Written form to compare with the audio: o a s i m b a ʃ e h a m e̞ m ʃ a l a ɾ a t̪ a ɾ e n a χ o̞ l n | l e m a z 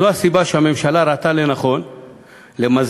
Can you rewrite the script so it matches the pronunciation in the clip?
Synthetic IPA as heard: o a s i b a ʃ e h a m e̞ m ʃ a l a ɾ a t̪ a l e n a χ o̞ n | l e m a z